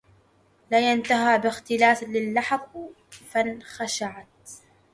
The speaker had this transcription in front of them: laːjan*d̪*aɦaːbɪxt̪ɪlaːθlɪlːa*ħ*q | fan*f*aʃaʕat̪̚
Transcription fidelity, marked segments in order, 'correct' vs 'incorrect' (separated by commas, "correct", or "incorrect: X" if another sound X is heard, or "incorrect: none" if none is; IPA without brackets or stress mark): incorrect: t̪, correct, incorrect: x